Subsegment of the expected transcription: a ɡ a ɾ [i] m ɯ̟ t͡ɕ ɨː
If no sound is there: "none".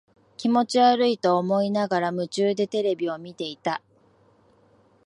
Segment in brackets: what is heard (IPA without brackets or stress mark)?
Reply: a